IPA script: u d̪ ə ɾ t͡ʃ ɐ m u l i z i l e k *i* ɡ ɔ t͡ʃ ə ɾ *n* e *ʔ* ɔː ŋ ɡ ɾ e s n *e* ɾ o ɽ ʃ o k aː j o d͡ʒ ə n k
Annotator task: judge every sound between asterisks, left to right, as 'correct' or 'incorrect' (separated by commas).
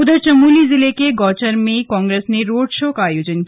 incorrect, incorrect, incorrect, correct